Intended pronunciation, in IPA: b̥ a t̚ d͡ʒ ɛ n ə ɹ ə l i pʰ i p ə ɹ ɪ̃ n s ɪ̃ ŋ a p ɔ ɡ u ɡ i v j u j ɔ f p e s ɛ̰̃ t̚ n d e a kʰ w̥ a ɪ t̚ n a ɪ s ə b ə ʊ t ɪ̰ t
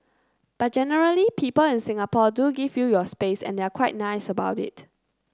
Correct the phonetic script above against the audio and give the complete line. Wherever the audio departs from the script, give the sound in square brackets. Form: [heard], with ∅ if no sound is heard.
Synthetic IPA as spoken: b̥ a t̚ d͡ʒ ɛ n ə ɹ ə l i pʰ i p ə [l] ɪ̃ n s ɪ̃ ŋ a p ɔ [d] u ɡ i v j u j ɔ [s] p e s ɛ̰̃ [∅] n d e a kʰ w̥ a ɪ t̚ n a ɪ s ə b [a] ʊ t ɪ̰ t